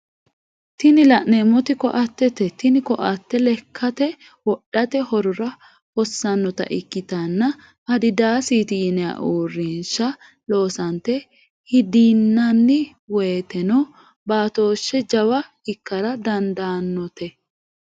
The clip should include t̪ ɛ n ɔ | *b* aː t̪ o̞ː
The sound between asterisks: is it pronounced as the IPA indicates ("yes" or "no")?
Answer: yes